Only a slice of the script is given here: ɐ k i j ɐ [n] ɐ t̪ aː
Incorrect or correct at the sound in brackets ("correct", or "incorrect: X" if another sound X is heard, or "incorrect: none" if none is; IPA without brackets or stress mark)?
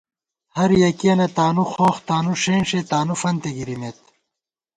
correct